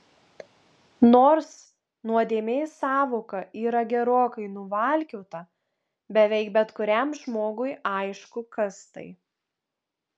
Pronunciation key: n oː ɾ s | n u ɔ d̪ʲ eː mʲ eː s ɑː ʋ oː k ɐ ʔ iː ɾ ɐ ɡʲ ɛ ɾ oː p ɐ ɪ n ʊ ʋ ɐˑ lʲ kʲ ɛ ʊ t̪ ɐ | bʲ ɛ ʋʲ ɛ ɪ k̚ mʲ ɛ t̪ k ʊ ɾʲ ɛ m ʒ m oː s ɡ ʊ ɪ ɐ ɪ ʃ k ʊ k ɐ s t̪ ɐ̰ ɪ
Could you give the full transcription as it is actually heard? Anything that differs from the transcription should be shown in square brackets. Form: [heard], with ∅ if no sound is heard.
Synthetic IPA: n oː ɾ s | n u ɔ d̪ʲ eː mʲ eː s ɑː ʋ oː k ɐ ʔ iː ɾ ɐ ɡʲ ɛ ɾ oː [k] ɐ ɪ n ʊ ʋ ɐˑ lʲ kʲ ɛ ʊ t̪ ɐ | bʲ ɛ ʋʲ ɛ ɪ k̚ [bʲ] ɛ t̪ k ʊ ɾʲ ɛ m ʒ m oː [∅] ɡ ʊ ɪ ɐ ɪ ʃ k ʊ k ɐ s t̪ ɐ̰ ɪ